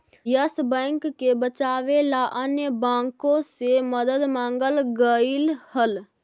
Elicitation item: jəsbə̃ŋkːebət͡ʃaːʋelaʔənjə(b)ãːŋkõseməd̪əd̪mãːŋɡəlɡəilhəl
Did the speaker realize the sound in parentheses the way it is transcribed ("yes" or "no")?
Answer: yes